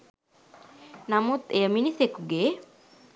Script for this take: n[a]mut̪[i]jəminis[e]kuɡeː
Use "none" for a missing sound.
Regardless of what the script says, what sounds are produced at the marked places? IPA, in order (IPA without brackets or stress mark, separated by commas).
a, e, e